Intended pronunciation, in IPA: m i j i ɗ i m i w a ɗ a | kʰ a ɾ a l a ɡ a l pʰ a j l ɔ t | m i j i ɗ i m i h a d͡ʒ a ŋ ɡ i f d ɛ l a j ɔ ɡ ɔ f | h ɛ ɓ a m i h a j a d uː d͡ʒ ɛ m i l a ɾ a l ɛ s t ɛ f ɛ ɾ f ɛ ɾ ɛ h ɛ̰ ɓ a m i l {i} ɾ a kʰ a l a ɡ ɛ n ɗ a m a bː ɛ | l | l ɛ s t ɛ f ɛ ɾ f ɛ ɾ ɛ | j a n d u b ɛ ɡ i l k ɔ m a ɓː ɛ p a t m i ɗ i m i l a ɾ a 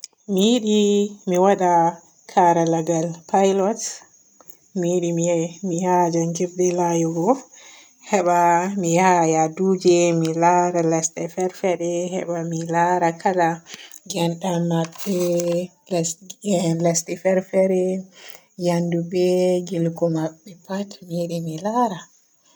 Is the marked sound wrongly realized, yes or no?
yes